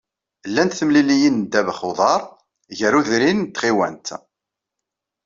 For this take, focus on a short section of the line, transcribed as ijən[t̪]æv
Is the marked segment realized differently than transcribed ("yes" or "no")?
yes